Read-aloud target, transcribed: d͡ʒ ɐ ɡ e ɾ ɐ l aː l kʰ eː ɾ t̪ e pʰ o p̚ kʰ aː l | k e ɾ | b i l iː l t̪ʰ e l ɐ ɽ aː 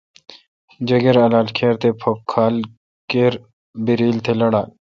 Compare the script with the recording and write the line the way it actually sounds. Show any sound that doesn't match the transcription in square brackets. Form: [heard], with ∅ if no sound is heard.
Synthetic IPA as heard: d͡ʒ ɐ ɡ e ɾ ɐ l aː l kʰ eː ɾ t̪ e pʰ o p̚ kʰ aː l | k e ɾ | b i [ɾ] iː l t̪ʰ e l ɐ ɽ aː